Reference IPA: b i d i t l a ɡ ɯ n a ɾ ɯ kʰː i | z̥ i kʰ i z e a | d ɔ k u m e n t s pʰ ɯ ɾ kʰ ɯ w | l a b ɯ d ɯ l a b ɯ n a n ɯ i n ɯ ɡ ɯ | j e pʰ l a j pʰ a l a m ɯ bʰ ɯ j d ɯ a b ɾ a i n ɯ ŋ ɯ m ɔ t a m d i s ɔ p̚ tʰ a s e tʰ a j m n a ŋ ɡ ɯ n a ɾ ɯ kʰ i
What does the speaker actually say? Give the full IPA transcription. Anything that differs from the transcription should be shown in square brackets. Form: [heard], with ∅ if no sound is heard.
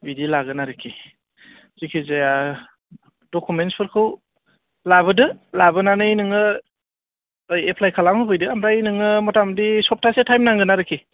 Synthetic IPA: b i d i [∅] l a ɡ ɯ n a ɾ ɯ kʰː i | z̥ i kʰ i z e a | d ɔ k u m e n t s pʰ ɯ ɾ kʰ ɯ w | l a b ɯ d ɯ l a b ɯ n a n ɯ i n ɯ [ŋ] ɯ | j e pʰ l a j [kʰ] a l a m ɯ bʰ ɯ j d ɯ a [m] ɾ a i n ɯ ŋ ɯ m ɔ t a m d i s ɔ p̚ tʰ a s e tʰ a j m n a ŋ ɡ ɯ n a ɾ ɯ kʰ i